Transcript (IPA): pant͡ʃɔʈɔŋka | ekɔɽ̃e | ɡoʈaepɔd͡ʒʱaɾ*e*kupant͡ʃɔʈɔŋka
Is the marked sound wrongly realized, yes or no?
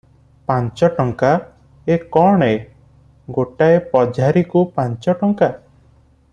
yes